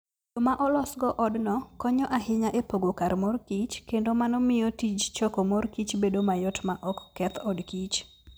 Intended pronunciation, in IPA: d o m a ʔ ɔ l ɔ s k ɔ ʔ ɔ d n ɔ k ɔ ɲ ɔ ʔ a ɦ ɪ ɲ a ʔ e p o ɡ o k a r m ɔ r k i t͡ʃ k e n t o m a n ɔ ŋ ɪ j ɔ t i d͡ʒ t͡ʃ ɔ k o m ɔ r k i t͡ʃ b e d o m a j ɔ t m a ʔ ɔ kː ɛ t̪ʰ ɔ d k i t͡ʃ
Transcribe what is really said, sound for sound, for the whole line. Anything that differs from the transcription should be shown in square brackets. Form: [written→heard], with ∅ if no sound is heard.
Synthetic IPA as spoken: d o m a ʔ ɔ l ɔ s [k→ɡ] ɔ ʔ ɔ d n ɔ k ɔ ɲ ɔ ʔ a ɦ ɪ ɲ a ʔ e p o ɡ o k a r m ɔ r k i t͡ʃ k e n [t→d] o m a n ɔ [ŋ→m] ɪ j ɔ t i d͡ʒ t͡ʃ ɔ k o m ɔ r k i t͡ʃ b e d o m a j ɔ t m a ʔ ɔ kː ɛ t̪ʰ ɔ d k i t͡ʃ